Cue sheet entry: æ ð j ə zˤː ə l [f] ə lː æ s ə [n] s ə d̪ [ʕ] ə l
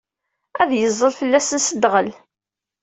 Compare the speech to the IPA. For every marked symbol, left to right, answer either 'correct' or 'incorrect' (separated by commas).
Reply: correct, correct, incorrect